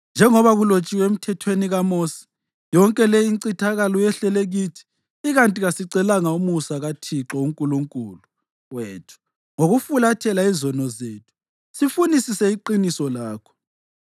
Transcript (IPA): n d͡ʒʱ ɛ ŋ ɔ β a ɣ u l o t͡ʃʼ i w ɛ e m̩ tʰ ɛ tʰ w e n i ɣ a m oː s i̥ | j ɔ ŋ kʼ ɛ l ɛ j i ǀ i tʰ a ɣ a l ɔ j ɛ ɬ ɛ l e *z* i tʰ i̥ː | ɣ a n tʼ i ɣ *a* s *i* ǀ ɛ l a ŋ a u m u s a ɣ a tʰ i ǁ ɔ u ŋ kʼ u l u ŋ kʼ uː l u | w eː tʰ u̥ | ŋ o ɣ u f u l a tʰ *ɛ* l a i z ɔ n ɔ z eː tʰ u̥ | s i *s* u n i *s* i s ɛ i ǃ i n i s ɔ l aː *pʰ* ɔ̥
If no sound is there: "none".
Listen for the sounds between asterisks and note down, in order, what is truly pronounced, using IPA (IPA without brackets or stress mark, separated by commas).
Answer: ɣ, a, i, ɛ, f, s, kʰ